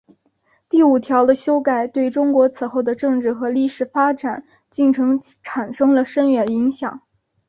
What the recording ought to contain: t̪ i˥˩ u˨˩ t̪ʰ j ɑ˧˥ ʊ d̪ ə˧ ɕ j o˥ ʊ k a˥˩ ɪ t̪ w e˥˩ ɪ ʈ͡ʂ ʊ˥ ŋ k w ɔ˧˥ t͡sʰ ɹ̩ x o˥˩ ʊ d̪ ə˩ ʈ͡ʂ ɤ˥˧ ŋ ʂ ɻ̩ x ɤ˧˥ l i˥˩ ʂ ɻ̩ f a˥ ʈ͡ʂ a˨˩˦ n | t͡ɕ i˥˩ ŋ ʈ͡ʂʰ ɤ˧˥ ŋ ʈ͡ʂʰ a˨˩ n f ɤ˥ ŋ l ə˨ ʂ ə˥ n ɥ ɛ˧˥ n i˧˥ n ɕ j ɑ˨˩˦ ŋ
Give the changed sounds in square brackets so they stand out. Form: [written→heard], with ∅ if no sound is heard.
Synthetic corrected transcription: t̪ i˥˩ u˨˩ t̪ʰ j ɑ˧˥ ʊ d̪ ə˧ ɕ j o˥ ʊ k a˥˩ ɪ t̪ w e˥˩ ɪ ʈ͡ʂ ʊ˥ ŋ k w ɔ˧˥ t͡sʰ ɹ̩ x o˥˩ ʊ d̪ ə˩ ʈ͡ʂ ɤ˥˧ ŋ [ʂ→ʈ͡ʂ] ɻ̩ x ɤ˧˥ l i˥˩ ʂ ɻ̩ f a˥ ʈ͡ʂ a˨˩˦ n | t͡ɕ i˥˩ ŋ ʈ͡ʂʰ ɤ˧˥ ŋ ʈ͡ʂʰ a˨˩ n [f→ʂ] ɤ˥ ŋ l ə˨ ʂ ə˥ n ɥ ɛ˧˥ n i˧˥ [n→ŋ] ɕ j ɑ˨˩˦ ŋ

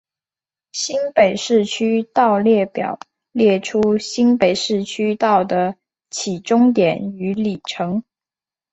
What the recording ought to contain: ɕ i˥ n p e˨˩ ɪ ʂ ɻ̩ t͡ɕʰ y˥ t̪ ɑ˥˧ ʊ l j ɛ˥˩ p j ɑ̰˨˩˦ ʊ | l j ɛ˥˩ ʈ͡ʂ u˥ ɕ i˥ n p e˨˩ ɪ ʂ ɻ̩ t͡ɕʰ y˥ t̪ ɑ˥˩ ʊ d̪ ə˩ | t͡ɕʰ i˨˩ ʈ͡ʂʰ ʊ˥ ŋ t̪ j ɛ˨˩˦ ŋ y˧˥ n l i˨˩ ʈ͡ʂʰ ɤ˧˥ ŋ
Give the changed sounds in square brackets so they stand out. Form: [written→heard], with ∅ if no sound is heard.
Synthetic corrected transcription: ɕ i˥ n p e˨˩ ɪ ʂ ɻ̩ t͡ɕʰ y˥ t̪ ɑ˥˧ ʊ l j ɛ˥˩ p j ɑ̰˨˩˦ ʊ | l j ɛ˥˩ [ʈ͡ʂ→ʈ͡ʂʰ] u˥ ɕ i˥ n p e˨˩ ɪ ʂ ɻ̩ t͡ɕʰ y˥ t̪ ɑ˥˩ ʊ d̪ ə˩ | t͡ɕʰ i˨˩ [ʈ͡ʂʰ→ʈ͡ʂ] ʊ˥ ŋ t̪ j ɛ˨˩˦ [ŋ→n] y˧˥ [n→∅] l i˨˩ ʈ͡ʂʰ ɤ˧˥ ŋ

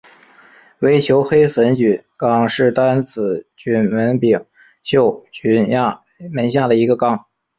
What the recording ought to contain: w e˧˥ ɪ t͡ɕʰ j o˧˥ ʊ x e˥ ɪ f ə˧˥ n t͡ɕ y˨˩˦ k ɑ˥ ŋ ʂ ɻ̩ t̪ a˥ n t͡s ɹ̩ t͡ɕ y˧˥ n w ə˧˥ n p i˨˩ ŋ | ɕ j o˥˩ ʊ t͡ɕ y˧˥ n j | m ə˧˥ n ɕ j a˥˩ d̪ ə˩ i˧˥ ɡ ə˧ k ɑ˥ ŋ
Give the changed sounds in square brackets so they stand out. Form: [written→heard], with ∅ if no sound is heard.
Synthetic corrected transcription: w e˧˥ ɪ t͡ɕʰ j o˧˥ ʊ x e˥ ɪ f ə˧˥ n t͡ɕ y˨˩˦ k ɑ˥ ŋ ʂ ɻ̩ t̪ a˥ n t͡s ɹ̩ t͡ɕ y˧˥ n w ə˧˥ n p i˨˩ ŋ | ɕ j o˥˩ ʊ t͡ɕ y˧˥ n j | m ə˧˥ n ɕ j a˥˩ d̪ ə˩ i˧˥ ɡ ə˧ k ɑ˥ ŋ

